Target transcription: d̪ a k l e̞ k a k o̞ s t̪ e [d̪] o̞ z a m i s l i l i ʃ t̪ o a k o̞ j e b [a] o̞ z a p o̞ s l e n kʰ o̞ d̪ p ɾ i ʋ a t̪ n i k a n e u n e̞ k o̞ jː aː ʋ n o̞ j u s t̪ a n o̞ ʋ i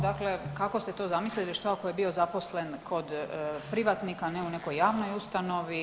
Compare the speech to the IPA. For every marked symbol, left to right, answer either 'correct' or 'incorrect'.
incorrect, incorrect

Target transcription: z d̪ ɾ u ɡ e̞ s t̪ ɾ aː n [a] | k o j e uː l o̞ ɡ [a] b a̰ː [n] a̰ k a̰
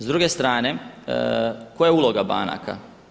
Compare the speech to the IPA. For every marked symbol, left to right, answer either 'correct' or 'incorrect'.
incorrect, correct, correct

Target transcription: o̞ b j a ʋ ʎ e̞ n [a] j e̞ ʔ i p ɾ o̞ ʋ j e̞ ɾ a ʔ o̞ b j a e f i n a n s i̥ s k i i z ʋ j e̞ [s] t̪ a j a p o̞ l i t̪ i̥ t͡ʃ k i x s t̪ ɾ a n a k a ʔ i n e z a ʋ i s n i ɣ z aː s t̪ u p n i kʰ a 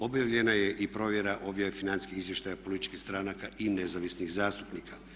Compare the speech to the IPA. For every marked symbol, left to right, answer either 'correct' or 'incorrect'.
correct, incorrect

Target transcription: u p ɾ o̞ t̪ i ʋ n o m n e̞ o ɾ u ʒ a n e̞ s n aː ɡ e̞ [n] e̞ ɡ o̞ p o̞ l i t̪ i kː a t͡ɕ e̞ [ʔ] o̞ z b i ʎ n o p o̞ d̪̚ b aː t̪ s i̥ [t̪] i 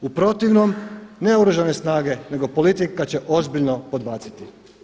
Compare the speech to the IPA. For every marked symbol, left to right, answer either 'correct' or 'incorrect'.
correct, correct, correct

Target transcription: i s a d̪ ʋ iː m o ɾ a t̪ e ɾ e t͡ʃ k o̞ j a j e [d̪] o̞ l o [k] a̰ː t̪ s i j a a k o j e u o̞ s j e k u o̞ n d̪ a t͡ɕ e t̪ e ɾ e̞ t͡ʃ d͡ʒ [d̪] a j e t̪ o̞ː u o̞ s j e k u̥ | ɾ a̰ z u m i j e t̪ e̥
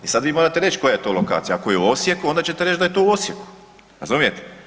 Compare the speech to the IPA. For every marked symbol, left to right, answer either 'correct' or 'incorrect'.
incorrect, correct, correct

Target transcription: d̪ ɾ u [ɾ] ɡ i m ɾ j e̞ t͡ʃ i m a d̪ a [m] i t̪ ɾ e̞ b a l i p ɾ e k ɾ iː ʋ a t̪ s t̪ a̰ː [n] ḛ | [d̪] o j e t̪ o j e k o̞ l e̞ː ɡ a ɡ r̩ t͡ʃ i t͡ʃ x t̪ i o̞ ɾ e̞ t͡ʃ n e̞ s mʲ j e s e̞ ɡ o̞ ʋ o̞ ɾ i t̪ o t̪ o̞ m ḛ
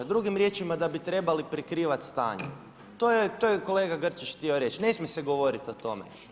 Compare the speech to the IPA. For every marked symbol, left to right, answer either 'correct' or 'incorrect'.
incorrect, incorrect, incorrect, incorrect

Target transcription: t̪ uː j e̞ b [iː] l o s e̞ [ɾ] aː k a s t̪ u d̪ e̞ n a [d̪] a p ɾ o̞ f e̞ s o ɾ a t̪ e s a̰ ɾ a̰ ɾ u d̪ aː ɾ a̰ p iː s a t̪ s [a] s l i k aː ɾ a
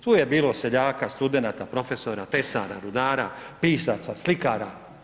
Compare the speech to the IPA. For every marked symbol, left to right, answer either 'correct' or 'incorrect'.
correct, incorrect, incorrect, correct

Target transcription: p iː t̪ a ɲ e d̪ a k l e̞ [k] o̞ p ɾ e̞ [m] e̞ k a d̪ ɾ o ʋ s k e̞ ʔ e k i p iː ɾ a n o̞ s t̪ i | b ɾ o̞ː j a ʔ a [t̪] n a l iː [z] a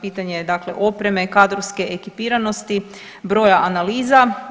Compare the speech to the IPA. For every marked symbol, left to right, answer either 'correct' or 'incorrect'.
incorrect, correct, incorrect, correct

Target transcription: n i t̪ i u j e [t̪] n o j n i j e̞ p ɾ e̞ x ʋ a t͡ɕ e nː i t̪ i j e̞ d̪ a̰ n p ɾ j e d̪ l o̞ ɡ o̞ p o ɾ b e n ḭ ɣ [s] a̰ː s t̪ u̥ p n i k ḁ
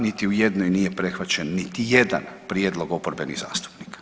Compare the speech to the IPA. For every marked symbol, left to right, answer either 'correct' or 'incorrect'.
incorrect, incorrect

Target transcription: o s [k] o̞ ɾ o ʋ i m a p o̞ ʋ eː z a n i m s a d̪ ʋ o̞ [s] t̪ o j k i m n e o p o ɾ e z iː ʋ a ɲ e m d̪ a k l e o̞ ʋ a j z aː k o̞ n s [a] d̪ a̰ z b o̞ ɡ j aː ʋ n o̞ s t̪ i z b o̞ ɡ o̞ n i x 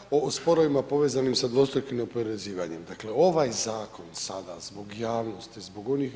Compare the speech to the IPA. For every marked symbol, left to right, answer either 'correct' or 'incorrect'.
incorrect, correct, correct

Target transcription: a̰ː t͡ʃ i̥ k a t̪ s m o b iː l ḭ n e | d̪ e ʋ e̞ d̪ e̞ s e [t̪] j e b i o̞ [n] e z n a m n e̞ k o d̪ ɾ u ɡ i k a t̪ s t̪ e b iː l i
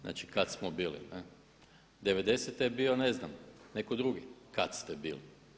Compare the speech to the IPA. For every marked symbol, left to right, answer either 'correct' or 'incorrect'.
correct, correct

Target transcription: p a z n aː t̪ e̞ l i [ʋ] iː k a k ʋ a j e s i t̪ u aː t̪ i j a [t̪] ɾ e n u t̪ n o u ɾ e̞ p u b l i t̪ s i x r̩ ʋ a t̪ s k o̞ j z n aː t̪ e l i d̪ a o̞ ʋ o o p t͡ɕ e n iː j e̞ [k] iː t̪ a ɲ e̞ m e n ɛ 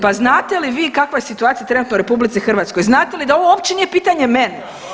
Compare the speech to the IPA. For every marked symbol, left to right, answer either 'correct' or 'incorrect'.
correct, correct, incorrect

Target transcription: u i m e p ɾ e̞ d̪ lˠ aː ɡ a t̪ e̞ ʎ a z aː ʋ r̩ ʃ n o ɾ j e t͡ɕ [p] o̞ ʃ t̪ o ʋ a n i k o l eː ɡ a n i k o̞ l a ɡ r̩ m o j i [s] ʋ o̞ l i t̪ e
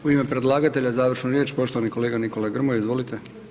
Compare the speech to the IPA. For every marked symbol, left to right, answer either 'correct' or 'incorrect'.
correct, incorrect

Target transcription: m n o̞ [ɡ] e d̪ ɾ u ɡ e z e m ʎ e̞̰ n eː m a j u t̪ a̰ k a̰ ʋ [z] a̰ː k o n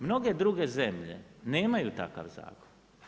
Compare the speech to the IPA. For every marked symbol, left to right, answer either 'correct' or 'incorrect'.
correct, correct

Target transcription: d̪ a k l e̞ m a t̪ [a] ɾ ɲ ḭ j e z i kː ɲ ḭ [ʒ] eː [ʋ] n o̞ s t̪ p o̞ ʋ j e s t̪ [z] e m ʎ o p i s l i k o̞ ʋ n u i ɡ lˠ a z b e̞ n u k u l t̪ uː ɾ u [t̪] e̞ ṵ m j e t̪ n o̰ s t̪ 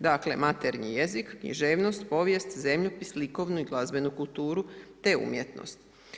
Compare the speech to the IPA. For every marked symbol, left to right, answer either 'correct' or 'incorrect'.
incorrect, correct, correct, correct, correct

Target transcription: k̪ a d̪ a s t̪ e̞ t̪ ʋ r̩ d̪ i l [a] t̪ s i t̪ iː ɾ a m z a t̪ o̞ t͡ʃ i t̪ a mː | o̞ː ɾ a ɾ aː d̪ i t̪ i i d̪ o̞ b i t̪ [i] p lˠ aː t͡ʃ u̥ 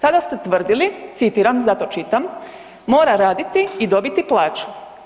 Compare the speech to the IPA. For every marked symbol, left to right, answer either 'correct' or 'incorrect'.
incorrect, correct

